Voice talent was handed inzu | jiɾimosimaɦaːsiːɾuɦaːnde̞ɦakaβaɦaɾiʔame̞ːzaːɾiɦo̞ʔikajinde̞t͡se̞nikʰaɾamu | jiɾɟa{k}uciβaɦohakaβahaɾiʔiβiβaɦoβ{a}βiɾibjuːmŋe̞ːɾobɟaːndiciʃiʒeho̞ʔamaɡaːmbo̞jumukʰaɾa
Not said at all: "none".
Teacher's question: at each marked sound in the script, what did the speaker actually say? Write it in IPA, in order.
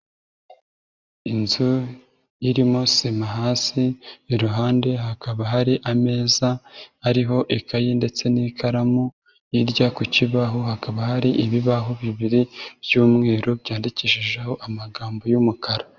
k, i

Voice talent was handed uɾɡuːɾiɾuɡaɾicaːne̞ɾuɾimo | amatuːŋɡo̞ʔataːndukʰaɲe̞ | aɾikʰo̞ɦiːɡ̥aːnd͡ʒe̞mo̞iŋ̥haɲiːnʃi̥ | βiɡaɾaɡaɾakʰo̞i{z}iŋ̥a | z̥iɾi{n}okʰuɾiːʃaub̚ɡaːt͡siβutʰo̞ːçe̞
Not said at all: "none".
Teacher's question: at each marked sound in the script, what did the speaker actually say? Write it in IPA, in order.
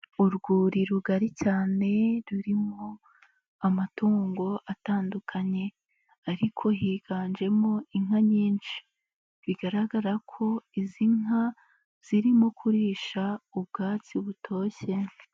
z, m

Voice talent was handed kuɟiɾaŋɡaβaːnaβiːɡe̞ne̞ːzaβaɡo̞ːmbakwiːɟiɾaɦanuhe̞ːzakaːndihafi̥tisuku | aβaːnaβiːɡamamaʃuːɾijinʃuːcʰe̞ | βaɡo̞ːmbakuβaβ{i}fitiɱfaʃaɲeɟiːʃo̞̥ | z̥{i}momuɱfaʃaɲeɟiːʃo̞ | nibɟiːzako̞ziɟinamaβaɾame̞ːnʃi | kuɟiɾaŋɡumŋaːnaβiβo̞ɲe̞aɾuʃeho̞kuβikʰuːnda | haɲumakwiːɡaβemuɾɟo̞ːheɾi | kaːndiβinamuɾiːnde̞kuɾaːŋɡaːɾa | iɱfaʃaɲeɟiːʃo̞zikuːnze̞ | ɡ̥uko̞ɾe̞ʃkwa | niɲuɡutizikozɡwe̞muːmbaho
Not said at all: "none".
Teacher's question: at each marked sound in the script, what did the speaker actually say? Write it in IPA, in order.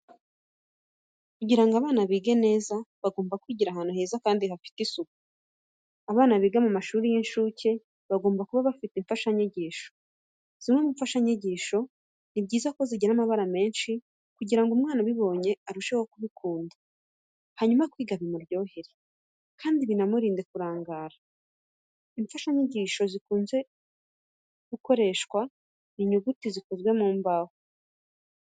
a, i

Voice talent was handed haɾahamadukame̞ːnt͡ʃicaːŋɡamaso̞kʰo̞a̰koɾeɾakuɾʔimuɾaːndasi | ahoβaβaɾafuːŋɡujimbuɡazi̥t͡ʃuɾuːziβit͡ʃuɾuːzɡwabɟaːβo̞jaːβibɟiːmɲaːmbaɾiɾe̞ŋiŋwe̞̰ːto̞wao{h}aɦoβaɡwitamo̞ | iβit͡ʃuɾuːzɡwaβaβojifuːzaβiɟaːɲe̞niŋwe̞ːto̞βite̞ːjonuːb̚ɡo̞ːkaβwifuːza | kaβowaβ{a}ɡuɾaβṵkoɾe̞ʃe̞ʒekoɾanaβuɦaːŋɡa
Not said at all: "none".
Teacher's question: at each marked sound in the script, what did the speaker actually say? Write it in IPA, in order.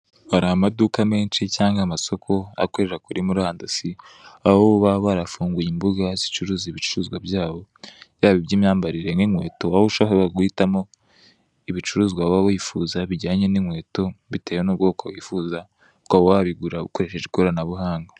ʃ, i

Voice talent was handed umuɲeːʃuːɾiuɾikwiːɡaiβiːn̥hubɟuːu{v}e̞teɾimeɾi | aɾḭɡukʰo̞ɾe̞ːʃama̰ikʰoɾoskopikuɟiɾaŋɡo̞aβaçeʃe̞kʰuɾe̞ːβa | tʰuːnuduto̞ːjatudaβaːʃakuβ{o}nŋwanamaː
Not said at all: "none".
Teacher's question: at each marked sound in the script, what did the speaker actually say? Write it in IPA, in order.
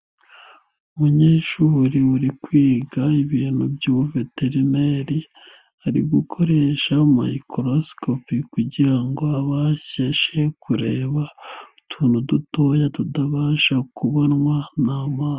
v, o

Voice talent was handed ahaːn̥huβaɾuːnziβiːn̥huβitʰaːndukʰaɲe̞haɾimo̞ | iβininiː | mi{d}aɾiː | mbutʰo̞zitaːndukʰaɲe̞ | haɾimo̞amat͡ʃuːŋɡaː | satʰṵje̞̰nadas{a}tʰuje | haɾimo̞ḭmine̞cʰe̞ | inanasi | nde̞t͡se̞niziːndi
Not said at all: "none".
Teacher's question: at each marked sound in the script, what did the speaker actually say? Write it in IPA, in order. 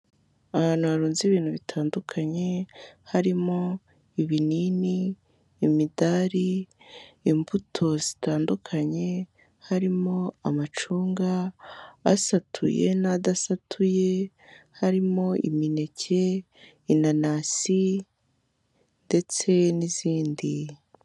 d, a

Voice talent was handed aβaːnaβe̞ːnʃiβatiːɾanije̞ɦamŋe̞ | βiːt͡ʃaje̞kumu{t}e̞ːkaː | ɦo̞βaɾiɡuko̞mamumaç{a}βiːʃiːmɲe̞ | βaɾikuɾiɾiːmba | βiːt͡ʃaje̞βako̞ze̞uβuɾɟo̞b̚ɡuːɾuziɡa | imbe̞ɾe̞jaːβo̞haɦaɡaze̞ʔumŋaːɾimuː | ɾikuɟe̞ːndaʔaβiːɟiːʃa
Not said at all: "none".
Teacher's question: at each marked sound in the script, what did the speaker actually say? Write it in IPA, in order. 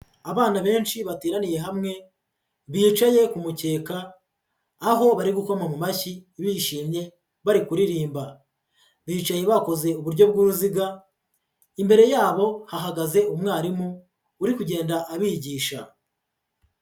c, i

